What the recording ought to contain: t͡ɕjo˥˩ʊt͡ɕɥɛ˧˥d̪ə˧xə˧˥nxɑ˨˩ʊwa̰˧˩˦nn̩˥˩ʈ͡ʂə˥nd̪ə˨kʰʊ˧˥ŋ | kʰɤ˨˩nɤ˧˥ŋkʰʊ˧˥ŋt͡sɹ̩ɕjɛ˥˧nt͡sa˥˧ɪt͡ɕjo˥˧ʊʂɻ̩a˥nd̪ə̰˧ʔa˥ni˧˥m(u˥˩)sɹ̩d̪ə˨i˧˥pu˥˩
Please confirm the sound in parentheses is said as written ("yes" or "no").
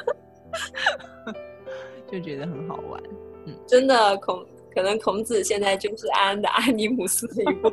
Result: no